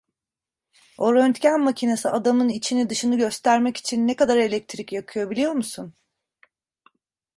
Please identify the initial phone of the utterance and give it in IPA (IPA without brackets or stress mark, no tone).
o̞